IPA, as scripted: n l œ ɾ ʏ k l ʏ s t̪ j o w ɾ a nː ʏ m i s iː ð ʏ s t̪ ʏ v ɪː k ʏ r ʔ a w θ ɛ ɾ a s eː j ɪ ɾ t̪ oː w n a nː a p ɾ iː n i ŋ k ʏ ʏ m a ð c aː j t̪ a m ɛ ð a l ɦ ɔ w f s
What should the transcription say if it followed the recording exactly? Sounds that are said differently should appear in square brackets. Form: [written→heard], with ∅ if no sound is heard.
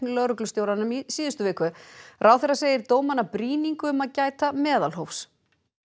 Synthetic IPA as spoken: n l œ ɾ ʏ k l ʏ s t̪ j o w ɾ a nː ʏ m i s iː ð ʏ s t̪ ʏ v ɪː k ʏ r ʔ a w θ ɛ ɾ a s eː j ɪ ɾ t̪ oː w [n→m] a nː a p ɾ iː n i ŋ k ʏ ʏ m a ð c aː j t̪ a m [ɛ→ɛː] ð a l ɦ [ɔ→o] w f s